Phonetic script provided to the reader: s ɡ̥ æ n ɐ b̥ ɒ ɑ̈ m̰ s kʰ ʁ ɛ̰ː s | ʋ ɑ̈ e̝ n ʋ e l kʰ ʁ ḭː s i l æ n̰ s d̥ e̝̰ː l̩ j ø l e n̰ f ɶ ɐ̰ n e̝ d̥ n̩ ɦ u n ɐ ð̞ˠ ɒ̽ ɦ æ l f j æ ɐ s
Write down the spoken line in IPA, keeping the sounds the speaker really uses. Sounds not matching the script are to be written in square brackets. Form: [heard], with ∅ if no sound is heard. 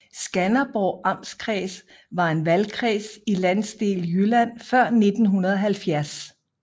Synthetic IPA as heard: s ɡ̥ æ n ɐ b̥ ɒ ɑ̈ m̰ s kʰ ʁ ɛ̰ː s | ʋ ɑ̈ e̝ n ʋ [æ] l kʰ ʁ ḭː s i l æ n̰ s d̥ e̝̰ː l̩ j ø l [æ] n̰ f ɶ ɐ̰ n e̝ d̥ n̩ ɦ u n ɐ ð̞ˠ ɒ̽ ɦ æ l f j æ ɐ s

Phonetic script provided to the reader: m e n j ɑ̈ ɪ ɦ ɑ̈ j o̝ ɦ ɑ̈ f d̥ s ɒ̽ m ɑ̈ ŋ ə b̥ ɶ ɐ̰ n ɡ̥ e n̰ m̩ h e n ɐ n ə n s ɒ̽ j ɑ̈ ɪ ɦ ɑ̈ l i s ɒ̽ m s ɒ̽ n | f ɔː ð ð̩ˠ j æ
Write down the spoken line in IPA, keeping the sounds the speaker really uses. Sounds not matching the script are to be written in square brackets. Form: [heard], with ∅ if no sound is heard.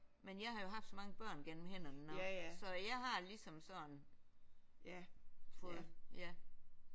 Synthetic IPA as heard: m e n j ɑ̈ ɪ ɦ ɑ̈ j o̝ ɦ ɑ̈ f d̥ s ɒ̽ m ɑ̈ ŋ ə b̥ ɶ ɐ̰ n ɡ̥ e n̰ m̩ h e n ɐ n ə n s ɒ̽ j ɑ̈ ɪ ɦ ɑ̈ l i s ɒ̽ m s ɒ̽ n | f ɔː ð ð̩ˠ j æ

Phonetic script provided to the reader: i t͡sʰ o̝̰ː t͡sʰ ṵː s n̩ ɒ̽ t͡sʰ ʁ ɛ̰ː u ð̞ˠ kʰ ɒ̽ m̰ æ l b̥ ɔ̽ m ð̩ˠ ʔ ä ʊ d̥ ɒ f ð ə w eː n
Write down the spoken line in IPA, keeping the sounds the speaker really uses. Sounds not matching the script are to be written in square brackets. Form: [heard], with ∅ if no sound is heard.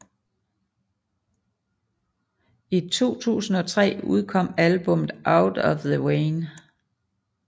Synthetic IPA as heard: i t͡sʰ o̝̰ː t͡sʰ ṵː s n̩ ɒ̽ t͡sʰ ʁ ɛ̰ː u ð̞ˠ kʰ ɒ̽ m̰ æ l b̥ ɔ̽ m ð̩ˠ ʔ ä ʊ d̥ ɒ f ð ə w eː n

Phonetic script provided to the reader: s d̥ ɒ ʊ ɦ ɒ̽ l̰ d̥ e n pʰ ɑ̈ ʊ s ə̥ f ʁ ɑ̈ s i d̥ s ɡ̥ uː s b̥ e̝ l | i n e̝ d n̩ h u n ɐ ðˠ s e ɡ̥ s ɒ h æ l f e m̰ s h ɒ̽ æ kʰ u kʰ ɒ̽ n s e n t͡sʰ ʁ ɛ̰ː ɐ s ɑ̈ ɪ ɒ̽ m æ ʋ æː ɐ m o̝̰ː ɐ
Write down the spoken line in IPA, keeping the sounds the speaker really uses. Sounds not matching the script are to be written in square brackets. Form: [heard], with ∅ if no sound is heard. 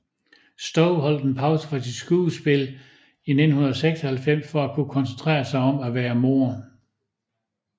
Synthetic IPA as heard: s d̥ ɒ ʊ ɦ ɒ̽ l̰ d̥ e n pʰ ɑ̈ ʊ s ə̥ f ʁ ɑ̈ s i d̥ s ɡ̥ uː s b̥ e̝ l | i n e̝ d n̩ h u n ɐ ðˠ s e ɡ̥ s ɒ h æ l f e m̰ s [f] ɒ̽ æ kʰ u kʰ ɒ̽ n s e n t͡sʰ ʁ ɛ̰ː ɐ s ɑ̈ ɪ ɒ̽ m æ ʋ æː ɐ m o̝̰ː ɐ

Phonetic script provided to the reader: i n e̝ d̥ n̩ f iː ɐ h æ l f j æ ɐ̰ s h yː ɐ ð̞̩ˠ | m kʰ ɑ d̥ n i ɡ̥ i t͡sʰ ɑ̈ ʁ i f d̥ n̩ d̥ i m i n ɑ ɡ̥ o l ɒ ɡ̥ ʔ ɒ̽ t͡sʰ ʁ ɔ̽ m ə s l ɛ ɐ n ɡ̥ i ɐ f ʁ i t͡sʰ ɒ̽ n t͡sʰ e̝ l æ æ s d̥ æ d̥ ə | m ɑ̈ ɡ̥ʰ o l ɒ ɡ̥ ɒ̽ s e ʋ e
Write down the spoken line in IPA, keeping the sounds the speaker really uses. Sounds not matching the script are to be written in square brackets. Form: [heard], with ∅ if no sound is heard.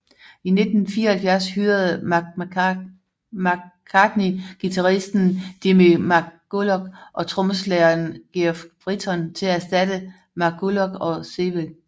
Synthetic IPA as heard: i n e̝ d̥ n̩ f iː ɐ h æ l f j æ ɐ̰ s h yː ɐ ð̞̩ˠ | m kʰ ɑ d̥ n i ɡ̥ i t͡sʰ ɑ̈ ʁ i [s] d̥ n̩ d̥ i m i [m] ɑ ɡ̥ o l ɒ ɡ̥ ʔ ɒ̽ t͡sʰ ʁ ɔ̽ m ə s l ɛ ɐ n ɡ̥ i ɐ f ʁ i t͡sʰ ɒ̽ n t͡sʰ e̝ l æ æ s d̥ æ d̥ ə | m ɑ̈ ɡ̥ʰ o l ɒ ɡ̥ ɒ̽ s e ʋ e

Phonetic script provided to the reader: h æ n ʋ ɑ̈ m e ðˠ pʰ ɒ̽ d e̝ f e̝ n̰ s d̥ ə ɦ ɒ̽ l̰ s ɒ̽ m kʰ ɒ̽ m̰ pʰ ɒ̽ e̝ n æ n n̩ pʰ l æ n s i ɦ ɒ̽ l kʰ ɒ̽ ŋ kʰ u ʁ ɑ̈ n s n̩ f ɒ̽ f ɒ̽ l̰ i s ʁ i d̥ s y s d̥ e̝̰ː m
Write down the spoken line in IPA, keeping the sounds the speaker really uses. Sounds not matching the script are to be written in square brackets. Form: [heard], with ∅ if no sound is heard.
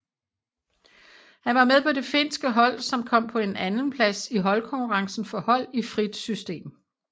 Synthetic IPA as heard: h æ n ʋ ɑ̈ m e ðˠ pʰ ɒ̽ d e̝ f e̝ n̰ s [ɡ̥] ə ɦ ɒ̽ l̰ s ɒ̽ m kʰ ɒ̽ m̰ pʰ ɒ̽ e̝ n æ n n̩ pʰ l æ [∅] s i ɦ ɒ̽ l kʰ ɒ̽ ŋ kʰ u ʁ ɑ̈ [ŋ] s n̩ f ɒ̽ [h] ɒ̽ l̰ i [f] ʁ i d̥ s y s d̥ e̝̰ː m

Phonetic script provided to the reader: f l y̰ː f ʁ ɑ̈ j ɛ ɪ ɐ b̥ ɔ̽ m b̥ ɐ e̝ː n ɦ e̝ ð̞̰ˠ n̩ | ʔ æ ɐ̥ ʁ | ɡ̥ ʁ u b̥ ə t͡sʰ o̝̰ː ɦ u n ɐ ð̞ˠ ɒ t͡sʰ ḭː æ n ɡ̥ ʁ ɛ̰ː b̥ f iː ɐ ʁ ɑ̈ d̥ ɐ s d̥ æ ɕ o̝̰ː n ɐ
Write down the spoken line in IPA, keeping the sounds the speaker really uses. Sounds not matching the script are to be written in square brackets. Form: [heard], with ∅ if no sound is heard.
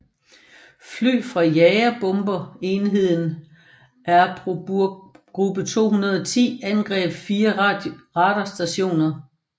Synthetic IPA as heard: f l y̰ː f ʁ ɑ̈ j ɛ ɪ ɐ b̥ ɔ̽ m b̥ ɐ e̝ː n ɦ e̝ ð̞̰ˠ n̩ | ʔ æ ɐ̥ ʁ | ɡ̥ ʁ u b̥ ə t͡sʰ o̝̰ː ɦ u n ɐ ð̞ˠ ɒ t͡sʰ ḭː æ n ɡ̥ ʁ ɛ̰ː b̥ f iː ɐ ʁ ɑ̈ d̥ ɐ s d̥ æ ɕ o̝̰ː n ɐ

